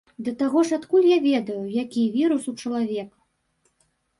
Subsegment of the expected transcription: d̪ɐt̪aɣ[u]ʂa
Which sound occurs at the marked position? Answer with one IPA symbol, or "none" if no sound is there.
ɔ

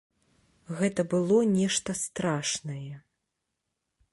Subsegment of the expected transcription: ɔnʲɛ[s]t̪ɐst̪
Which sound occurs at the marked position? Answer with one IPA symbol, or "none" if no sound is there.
ʂ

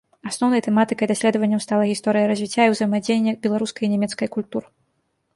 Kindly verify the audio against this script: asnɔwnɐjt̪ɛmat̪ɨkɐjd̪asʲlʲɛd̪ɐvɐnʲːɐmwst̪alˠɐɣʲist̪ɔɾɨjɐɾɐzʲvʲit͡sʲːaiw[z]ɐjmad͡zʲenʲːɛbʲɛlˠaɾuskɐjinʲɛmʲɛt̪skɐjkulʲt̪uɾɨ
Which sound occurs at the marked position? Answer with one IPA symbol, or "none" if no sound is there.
z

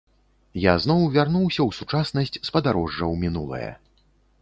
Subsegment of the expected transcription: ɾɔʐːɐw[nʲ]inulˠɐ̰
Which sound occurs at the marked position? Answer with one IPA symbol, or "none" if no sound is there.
mʲ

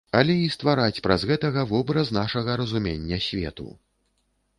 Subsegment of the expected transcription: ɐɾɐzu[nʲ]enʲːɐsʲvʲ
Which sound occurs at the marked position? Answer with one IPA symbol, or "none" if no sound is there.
mʲ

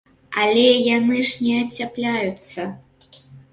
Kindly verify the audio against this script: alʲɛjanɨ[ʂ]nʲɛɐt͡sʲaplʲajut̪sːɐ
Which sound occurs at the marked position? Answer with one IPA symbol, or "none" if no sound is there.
ʂ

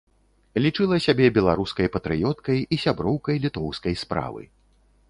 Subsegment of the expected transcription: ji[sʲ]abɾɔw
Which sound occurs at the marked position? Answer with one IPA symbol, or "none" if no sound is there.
sʲ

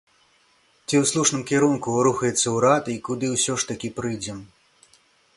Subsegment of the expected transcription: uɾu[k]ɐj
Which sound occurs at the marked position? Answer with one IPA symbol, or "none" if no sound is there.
x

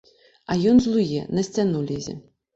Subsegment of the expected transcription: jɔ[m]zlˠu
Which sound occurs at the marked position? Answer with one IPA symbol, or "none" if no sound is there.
n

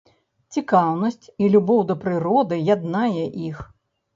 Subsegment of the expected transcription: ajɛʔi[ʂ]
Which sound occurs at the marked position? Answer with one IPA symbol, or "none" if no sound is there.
x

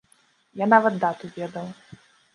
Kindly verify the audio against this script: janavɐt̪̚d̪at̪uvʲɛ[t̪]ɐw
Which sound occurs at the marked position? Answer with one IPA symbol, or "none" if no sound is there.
d̪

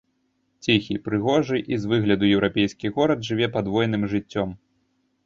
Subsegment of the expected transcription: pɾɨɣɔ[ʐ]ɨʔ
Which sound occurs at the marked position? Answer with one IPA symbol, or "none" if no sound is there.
ʐ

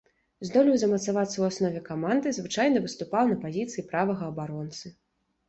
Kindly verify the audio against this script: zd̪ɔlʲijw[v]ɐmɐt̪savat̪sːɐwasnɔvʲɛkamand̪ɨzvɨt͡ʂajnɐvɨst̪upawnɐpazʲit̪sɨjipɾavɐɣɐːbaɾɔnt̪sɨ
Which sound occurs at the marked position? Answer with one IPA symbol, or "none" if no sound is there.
z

